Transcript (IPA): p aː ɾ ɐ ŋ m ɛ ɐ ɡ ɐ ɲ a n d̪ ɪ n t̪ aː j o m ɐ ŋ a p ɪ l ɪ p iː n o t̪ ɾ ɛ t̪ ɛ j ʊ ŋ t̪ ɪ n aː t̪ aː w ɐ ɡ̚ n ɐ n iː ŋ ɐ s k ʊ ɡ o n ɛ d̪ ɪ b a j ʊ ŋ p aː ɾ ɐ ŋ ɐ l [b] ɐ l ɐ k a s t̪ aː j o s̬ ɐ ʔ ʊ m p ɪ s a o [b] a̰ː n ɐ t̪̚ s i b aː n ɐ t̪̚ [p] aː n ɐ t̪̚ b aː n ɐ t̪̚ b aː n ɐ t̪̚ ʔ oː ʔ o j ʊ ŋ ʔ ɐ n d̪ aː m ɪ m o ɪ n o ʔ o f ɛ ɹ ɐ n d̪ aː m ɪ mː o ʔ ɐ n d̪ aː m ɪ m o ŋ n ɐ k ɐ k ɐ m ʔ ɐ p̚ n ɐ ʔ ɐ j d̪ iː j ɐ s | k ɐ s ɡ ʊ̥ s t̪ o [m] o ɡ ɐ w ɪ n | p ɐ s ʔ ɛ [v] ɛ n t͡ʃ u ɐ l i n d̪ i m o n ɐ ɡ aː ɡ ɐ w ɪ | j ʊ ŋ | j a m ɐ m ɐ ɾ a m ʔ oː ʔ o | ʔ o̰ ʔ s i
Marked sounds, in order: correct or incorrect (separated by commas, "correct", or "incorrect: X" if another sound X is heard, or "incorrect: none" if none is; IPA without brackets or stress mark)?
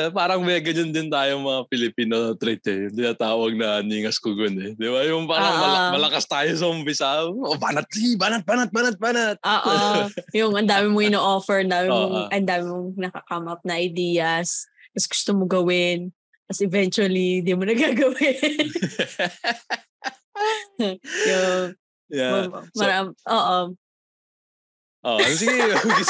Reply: incorrect: m, correct, incorrect: b, correct, correct